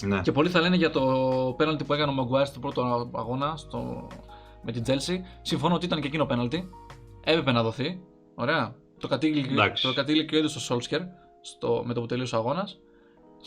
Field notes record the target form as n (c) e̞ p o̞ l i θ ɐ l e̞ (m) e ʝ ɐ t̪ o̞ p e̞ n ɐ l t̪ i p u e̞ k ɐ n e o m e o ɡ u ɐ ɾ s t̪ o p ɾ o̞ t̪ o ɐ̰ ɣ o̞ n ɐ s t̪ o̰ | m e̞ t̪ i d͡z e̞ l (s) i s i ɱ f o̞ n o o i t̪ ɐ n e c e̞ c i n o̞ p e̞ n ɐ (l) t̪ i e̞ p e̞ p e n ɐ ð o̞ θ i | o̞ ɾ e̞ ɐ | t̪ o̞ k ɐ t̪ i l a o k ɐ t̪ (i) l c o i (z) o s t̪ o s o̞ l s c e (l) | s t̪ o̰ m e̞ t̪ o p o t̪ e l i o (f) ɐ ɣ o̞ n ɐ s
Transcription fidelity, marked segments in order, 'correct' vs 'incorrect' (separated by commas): correct, incorrect, correct, correct, correct, incorrect, incorrect, incorrect